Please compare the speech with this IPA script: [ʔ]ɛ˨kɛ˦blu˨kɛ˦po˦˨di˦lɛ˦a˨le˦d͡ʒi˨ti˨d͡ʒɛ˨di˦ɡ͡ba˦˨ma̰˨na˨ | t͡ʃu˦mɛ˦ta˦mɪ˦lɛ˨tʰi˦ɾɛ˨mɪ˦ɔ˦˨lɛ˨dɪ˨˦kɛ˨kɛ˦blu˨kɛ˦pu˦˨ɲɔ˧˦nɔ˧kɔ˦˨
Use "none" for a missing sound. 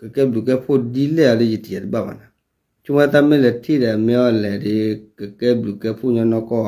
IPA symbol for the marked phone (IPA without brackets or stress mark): k